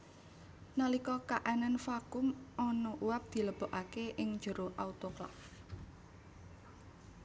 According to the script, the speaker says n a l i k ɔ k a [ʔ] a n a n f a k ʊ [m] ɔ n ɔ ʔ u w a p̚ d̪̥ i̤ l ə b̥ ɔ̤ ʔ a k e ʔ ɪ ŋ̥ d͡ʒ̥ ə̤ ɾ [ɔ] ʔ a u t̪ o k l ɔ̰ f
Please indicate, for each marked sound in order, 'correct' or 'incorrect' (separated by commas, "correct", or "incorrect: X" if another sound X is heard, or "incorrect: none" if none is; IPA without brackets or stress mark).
correct, correct, incorrect: o